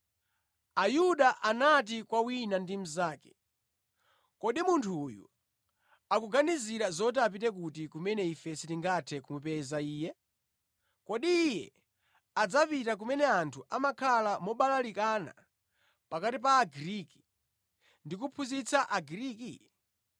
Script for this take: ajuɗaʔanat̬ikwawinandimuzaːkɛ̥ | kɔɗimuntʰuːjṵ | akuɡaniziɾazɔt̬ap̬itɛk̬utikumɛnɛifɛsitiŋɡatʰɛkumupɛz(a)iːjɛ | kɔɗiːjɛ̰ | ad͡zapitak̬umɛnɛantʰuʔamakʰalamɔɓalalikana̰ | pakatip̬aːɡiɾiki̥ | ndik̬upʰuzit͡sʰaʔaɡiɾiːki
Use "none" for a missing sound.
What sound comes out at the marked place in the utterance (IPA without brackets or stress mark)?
a